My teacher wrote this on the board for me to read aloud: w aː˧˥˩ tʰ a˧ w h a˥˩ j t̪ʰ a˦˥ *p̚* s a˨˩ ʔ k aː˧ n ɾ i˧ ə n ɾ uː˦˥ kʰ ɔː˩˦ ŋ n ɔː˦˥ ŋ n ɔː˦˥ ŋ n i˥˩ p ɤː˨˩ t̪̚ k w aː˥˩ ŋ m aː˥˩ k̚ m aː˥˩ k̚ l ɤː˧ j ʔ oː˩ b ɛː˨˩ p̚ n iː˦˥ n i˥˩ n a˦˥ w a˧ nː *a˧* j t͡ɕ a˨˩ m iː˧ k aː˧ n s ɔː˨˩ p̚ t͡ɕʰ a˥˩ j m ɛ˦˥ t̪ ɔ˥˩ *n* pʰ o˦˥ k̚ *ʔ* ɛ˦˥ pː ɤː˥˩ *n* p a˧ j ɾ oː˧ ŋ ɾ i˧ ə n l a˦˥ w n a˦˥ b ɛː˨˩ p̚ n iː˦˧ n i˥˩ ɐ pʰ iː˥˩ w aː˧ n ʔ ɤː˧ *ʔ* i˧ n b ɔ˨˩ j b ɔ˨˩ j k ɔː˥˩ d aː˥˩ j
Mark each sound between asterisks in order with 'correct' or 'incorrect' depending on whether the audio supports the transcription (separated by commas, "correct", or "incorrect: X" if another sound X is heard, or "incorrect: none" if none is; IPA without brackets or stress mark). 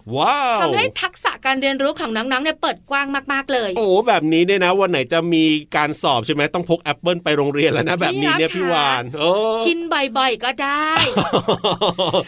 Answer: incorrect: k̚, incorrect: a˩˦, incorrect: ŋ, correct, correct, incorrect: k